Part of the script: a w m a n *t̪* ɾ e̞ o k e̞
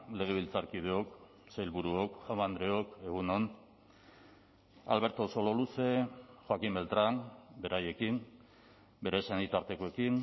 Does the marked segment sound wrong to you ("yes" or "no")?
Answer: yes